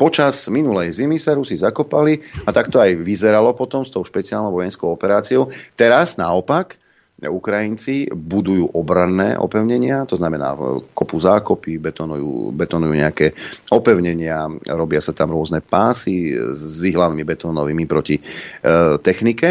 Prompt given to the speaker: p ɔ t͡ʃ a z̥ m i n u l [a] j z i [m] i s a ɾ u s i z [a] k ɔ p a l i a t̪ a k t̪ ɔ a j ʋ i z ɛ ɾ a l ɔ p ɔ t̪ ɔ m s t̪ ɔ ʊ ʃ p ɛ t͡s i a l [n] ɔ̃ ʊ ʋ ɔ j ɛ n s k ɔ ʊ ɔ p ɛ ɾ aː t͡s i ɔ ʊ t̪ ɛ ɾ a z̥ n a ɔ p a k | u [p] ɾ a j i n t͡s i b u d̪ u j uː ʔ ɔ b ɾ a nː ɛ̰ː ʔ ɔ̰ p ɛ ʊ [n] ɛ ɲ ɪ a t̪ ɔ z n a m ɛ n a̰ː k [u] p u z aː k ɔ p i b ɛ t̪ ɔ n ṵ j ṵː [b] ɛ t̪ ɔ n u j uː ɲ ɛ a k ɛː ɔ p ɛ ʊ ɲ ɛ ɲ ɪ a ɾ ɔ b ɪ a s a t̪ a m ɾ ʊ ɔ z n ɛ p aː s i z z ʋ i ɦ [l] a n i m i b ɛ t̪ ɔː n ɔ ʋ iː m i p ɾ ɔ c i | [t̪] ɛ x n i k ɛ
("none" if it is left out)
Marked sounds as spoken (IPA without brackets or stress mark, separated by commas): ɛ, m, a, n, k, ɲ, ɔ, b, l, t̪